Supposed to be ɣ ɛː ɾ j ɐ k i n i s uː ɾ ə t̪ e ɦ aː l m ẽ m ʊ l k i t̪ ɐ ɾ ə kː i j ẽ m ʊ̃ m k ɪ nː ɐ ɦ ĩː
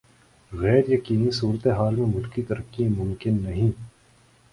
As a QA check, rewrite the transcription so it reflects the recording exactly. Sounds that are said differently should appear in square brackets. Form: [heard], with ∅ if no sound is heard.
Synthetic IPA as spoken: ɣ ɛː ɾ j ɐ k [iː] n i s uː ɾ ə t̪ e ɦ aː l m ẽ m ʊ l k i t̪ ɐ ɾ ə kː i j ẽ m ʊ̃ m k ɪ nː ɐ ɦ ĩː